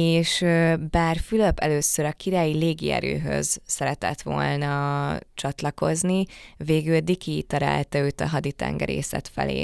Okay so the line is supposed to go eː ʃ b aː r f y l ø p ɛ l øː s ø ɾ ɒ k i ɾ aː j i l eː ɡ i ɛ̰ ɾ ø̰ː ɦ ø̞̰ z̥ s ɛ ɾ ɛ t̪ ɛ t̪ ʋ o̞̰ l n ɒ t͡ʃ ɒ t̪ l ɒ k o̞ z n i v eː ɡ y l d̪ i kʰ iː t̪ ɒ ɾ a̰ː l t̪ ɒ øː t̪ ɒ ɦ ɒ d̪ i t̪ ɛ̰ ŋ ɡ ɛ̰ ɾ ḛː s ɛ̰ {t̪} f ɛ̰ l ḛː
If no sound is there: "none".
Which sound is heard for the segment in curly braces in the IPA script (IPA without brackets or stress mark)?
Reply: t̪